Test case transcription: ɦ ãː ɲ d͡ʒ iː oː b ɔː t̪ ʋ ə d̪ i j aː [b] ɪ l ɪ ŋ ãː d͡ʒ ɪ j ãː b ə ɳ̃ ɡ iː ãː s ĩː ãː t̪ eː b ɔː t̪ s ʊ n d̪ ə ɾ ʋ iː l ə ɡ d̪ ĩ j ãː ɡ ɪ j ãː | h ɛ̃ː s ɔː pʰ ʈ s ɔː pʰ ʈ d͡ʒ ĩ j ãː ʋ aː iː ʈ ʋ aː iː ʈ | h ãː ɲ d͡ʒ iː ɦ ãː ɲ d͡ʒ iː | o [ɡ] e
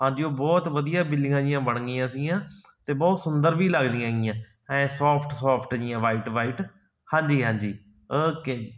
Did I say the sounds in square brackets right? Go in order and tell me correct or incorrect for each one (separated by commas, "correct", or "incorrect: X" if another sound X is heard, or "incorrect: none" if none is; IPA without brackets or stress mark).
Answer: correct, incorrect: k